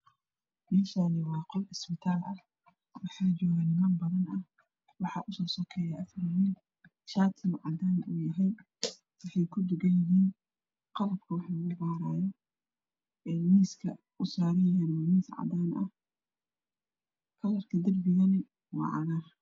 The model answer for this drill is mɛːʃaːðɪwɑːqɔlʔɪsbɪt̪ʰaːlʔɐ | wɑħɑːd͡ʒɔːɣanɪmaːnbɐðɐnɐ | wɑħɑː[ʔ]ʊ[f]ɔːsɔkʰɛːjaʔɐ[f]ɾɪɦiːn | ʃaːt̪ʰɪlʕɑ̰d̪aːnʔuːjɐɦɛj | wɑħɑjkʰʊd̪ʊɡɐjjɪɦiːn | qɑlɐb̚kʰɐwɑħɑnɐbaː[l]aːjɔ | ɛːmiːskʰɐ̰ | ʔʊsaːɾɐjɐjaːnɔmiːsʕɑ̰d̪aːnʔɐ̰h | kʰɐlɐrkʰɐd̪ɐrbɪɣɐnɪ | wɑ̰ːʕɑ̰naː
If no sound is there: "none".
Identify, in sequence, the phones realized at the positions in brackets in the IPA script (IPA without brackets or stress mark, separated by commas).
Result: ʔ, s, f, ɾ